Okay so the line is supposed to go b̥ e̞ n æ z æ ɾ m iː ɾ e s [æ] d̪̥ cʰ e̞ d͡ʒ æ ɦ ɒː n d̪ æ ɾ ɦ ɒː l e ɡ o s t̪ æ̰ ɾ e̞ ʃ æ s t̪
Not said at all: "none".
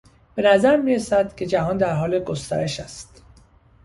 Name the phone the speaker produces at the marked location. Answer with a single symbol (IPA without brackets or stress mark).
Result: æ